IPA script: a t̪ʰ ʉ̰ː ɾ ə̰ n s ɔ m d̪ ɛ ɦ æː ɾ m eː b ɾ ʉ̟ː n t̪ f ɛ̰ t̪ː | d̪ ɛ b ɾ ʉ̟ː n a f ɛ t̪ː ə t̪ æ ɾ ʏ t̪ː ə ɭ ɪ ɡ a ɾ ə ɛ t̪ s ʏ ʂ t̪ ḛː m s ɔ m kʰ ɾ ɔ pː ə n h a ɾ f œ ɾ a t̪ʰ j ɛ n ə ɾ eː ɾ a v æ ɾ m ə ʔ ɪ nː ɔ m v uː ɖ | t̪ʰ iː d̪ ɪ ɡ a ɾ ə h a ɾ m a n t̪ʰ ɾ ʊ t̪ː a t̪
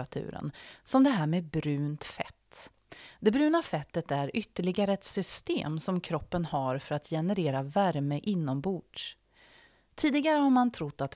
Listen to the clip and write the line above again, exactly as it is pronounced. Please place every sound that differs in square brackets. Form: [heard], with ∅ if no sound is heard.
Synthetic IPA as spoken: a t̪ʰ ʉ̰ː ɾ ə̰ n s ɔ m d̪ ɛ ɦ æː ɾ m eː b ɾ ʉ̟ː n t̪ f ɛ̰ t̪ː | d̪ ɛ b ɾ ʉ̟ː n a f ɛ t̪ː ə t̪ æ ɾ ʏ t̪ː ə ɭ ɪ ɡ a ɾ ə ɛ t̪ s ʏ [s] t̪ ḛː m s ɔ m kʰ ɾ ɔ pː ə n h a ɾ f œ ɾ a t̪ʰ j ɛ n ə ɾ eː ɾ a v æ ɾ m ə ʔ ɪ nː ɔ m [b] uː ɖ | t̪ʰ iː d̪ ɪ ɡ a ɾ ə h a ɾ m a n t̪ʰ ɾ ʊ t̪ː a t̪